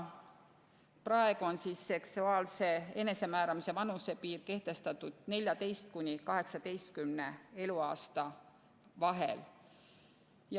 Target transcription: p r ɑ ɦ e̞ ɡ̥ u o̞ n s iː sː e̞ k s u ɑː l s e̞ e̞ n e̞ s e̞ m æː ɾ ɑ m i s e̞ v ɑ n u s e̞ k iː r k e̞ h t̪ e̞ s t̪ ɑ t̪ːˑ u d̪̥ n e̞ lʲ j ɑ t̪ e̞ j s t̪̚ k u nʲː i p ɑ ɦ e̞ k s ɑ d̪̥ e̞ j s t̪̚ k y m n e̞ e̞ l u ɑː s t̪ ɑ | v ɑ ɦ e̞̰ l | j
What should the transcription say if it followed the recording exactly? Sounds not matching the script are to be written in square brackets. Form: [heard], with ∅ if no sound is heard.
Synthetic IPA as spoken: p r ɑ [∅] e̞ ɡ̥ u o̞ n s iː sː e̞ k s u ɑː l s e̞ e̞ n e̞ s e̞ m æː ɾ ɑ m i s e̞ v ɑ n u s e̞ [p] iː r k e̞ h t̪ e̞ s t̪ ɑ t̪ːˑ u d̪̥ n e̞ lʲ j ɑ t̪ e̞ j s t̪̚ k u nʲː i [k] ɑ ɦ e̞ k s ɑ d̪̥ e̞ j s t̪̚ k y m n e̞ e̞ l u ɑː s t̪ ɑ | v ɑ ɦ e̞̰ l | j